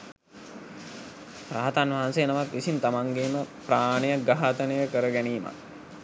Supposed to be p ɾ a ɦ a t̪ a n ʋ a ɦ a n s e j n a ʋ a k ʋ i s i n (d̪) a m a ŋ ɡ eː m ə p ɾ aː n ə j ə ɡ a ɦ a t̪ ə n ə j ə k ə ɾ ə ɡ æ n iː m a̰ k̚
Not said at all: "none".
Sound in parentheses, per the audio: t̪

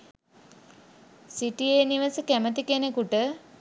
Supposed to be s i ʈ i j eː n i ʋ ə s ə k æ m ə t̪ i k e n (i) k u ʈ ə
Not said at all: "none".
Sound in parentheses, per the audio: e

